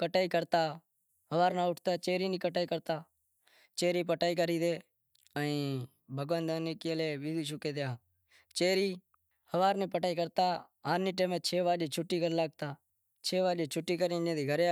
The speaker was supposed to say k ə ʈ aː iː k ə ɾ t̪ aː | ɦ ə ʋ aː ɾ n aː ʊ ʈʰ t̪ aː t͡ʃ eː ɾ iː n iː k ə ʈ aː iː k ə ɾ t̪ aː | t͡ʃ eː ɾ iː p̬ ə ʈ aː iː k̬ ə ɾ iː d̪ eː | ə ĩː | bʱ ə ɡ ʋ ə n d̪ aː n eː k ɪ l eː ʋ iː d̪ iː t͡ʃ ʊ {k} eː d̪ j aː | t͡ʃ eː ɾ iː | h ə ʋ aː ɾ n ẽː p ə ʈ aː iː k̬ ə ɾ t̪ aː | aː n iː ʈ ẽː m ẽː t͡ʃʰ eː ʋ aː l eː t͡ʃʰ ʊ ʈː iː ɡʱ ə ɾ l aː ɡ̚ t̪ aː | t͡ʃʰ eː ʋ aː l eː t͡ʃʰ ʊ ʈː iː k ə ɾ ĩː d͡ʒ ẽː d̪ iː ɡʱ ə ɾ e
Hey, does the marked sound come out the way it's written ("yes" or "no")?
yes